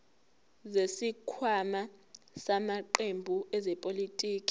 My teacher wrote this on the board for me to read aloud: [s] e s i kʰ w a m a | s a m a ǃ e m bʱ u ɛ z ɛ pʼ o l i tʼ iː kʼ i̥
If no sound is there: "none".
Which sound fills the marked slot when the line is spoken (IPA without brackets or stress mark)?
z